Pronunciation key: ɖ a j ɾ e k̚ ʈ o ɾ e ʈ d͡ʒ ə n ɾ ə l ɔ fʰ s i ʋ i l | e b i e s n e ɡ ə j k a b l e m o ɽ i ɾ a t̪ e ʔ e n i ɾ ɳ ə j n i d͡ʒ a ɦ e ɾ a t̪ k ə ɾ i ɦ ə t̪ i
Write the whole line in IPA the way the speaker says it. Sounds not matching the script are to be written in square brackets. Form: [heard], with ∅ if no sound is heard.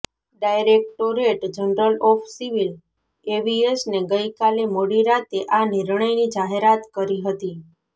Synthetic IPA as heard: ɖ a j ɾ e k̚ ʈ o ɾ e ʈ d͡ʒ ə n ɾ ə l ɔ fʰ s i ʋ i l | e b i e s n e ɡ ə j k a [∅] l e m o ɽ i ɾ a t̪ e ʔ [a] n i ɾ ɳ ə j n i d͡ʒ a ɦ e ɾ a t̪ k ə ɾ i ɦ ə t̪ i